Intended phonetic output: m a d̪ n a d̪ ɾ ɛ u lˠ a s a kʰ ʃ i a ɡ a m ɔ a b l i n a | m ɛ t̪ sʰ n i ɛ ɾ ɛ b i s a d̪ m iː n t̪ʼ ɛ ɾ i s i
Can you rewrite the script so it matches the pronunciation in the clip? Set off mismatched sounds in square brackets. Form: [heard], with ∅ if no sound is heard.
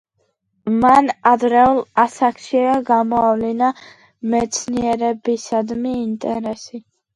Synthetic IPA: m a [∅] n a d̪ ɾ ɛ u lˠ a s a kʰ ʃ i a ɡ a m ɔ a [v] l i n a | m ɛ t̪ sʰ n i ɛ ɾ ɛ b i s a d̪ m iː n t̪ʼ ɛ ɾ [ɛ] s i